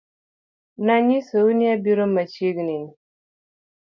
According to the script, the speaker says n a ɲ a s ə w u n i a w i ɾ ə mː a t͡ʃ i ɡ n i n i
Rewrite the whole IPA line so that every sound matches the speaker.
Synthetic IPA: n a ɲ i s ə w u n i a b i ɾ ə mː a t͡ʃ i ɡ n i n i